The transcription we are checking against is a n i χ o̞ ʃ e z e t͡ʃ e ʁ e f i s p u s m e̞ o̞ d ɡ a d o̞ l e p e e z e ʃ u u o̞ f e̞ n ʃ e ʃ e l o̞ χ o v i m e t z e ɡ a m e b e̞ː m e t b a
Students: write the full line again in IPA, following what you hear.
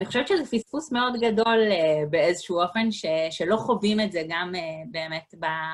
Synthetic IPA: a n i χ o̞ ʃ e v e t͡ʃ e z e f i s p u s m e̞ o̞ d ɡ a d o̞ l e b e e z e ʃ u u o̞ f e̞ n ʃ e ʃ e l o̞ χ o v i m e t z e ɡ a m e b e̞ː m e t b a